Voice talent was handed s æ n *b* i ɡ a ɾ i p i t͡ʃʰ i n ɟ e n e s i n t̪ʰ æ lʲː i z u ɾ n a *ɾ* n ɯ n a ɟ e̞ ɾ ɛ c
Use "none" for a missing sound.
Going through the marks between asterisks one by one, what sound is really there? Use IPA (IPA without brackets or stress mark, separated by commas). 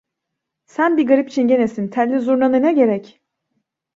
b, none